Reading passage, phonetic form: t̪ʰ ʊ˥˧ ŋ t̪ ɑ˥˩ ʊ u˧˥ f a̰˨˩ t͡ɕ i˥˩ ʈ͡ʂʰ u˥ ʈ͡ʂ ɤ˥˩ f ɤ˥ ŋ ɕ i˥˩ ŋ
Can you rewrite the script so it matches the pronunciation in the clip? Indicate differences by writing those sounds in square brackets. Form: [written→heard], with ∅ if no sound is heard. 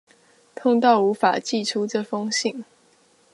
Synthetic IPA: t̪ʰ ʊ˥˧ ŋ t̪ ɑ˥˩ ʊ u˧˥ f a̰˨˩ t͡ɕ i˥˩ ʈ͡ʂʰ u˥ ʈ͡ʂ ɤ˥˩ f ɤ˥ ŋ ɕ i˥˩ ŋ